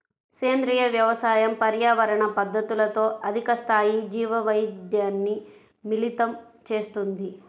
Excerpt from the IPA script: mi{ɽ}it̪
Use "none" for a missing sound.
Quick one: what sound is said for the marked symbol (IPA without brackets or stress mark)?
l